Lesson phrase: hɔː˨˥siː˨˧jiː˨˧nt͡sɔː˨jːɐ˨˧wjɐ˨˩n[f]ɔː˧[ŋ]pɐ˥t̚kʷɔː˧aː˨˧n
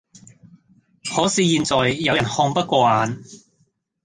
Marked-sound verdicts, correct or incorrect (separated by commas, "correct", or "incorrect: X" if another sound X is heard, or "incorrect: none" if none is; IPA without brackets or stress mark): incorrect: h, correct